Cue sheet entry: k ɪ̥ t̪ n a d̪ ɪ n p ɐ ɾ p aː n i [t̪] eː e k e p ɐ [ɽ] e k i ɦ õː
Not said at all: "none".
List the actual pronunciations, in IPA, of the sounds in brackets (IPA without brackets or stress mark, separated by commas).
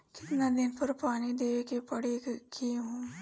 d̪, ɽ